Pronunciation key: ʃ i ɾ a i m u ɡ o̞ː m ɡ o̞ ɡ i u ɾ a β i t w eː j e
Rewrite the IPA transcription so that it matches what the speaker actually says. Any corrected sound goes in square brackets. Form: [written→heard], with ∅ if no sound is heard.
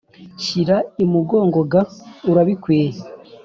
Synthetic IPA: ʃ i ɾ a i m u ɡ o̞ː [m→ŋ] ɡ o̞ ɡ [i→a] u ɾ a β i [t→k] w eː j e